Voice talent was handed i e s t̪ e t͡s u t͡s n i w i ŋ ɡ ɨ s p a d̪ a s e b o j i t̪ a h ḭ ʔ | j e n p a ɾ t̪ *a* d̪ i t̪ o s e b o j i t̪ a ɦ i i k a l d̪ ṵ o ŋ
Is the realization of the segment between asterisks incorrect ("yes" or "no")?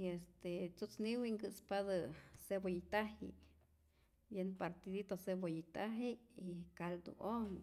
yes